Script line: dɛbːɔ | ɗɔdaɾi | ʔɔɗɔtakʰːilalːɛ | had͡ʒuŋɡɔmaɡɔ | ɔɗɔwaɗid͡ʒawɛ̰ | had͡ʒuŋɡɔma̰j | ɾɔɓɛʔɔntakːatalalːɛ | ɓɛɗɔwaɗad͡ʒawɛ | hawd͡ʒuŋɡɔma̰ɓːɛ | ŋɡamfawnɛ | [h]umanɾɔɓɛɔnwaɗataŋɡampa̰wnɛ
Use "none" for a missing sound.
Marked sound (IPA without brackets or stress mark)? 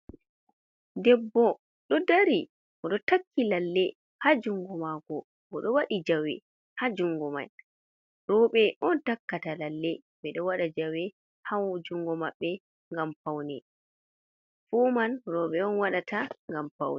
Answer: f